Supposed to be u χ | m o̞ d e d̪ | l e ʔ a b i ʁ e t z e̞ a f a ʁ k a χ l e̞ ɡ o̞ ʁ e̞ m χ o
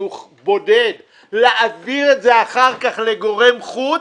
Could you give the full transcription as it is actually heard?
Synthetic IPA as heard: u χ | b o̞ d e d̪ | l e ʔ a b i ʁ e t z e̞ a χ a ʁ k a χ l e̞ ɡ o̞ ʁ e̞ m χ u